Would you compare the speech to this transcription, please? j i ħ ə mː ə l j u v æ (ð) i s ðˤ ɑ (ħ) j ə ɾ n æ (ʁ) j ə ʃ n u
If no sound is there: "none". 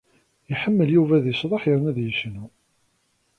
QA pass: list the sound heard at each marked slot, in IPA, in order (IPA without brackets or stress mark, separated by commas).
ð, ħ, ð